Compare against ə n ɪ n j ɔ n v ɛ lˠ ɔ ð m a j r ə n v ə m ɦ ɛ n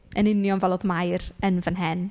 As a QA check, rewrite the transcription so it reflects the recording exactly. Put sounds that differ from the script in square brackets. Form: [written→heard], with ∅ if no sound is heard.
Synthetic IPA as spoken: ə n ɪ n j ɔ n v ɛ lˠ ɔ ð m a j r ə n v ə [m→n] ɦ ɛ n